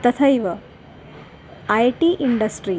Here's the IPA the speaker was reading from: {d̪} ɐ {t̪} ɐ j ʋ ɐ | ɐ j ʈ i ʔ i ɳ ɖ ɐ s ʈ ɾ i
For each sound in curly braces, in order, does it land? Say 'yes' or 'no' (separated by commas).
no, no